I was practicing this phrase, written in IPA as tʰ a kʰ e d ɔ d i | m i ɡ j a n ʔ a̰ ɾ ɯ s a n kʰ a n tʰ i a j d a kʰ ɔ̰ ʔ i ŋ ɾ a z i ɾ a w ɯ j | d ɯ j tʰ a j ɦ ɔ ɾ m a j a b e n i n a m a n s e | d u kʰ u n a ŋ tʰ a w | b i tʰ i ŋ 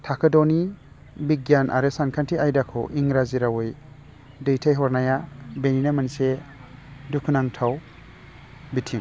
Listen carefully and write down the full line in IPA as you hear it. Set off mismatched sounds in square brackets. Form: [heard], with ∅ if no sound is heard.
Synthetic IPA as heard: tʰ a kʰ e d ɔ [n] i | [b] i ɡ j a n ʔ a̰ ɾ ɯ s a n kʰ a n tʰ i a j d a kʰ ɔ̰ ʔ i ŋ ɾ a z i ɾ a w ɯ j | d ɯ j tʰ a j ɦ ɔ ɾ [n] a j a b e n i n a m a n s e | d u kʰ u n a ŋ tʰ a w | b i tʰ i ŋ